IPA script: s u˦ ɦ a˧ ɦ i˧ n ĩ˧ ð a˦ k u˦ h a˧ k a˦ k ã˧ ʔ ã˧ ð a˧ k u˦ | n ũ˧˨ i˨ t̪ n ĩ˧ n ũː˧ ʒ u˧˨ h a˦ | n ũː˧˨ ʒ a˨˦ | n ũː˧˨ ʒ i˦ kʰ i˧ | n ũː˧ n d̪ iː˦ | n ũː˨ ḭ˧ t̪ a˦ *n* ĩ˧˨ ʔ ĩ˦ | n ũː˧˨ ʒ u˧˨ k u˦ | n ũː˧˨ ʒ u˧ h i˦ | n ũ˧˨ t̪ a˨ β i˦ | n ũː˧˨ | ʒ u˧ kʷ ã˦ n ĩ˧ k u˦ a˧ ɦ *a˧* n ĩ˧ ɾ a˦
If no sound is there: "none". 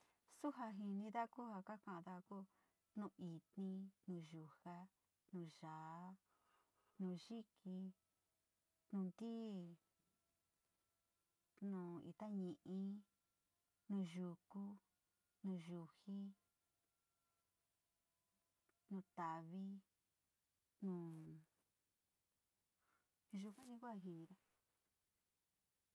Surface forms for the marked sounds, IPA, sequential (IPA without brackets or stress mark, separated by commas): ɲ, i˧